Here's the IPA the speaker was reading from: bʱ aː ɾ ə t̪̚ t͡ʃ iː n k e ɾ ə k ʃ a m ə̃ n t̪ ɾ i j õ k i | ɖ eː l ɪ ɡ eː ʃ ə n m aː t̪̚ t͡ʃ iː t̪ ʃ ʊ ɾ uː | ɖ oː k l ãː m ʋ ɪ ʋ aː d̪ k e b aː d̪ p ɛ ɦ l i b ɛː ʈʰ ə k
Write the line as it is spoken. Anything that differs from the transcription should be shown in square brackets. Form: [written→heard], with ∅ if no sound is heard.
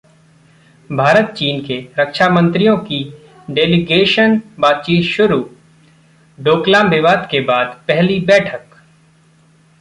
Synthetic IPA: bʱ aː ɾ ə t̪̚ t͡ʃ iː n k e ɾ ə k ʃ a m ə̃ n t̪ ɾ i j õ k i | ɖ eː l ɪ ɡ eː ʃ ə n [m→b] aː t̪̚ t͡ʃ iː t̪ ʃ ʊ ɾ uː | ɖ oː k l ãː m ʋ ɪ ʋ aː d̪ k e b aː d̪ p ɛ ɦ l i b ɛː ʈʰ ə k